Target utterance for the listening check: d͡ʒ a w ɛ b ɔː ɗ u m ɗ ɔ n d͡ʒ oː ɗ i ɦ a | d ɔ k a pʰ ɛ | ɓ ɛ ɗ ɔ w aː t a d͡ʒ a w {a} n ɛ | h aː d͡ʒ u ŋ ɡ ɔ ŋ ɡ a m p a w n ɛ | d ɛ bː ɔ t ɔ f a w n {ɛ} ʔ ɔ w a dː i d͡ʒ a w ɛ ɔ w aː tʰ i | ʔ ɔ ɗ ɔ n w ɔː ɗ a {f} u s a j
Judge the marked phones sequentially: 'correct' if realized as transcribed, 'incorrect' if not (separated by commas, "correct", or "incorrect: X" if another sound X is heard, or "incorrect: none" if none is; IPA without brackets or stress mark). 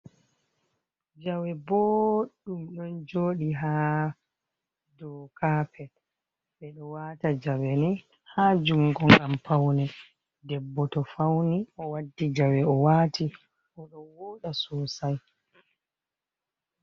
incorrect: ɛ, incorrect: i, incorrect: s